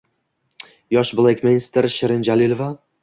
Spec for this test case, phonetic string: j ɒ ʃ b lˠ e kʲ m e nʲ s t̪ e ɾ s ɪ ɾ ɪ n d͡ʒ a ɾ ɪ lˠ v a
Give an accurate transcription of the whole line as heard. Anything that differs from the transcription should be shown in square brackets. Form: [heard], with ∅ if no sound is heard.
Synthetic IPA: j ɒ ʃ b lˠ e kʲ m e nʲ s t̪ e ɾ [ʃ] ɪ ɾ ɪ n d͡ʒ a [l] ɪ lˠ v a